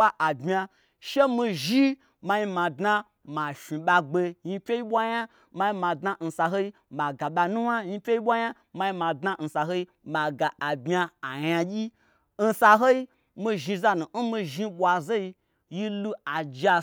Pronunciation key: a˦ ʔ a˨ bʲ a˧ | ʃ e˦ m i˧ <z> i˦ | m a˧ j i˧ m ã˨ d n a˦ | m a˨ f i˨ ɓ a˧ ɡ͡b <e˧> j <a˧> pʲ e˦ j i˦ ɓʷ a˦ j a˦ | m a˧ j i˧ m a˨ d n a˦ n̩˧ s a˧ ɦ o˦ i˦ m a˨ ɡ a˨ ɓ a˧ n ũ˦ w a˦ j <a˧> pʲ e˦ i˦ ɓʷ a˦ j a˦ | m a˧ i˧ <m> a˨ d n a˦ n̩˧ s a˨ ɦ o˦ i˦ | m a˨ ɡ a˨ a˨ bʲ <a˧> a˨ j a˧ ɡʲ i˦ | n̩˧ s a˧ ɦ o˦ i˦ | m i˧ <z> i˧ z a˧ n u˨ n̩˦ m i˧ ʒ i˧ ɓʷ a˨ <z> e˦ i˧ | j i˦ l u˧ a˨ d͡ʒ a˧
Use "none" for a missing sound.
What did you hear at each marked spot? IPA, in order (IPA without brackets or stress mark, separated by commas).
ʒ, e˧, i˧, i˧, m, a˧, ʒ, z